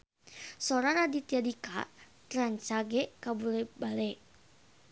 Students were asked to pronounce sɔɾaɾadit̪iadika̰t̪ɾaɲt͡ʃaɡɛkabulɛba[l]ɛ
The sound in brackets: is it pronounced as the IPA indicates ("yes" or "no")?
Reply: yes